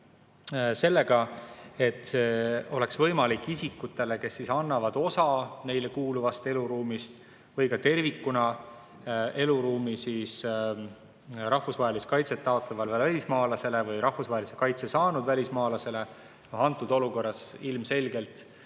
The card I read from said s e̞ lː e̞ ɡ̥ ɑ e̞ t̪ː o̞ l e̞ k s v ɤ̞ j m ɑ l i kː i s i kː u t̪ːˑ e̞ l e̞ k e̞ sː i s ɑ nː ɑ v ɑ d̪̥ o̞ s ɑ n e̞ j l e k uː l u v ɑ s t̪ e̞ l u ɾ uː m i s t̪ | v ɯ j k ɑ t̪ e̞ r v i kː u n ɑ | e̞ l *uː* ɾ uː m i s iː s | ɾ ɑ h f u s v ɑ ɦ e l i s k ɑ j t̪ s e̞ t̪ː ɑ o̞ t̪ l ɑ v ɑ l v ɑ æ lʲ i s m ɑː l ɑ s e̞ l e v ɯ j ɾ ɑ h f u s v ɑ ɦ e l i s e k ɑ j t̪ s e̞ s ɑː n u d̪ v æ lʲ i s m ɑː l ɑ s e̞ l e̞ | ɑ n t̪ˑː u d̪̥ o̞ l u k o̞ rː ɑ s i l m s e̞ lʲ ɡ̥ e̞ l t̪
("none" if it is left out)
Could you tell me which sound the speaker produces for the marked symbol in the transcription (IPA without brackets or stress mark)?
u